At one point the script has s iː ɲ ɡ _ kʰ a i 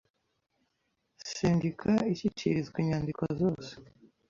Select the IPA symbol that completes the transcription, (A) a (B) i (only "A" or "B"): B